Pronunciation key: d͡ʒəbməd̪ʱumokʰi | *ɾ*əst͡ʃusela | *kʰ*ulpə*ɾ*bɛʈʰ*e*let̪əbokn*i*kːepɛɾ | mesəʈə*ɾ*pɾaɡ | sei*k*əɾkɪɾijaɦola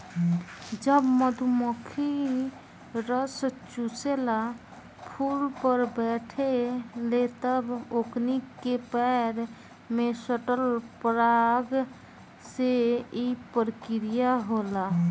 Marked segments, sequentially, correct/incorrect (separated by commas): correct, incorrect, correct, correct, correct, incorrect, incorrect